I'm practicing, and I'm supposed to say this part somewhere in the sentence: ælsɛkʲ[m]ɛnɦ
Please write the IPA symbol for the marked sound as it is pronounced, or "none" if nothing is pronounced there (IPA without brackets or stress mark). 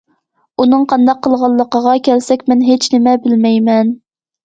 m